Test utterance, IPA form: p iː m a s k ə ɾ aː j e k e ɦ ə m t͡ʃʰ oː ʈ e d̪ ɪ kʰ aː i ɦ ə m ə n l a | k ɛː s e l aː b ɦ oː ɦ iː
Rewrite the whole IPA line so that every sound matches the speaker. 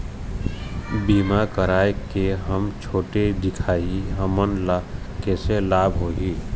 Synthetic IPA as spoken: b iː m a k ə ɾ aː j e k e ɦ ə m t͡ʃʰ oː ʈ e d̪ ɪ kʰ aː i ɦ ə m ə n l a | k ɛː s e l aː b ɦ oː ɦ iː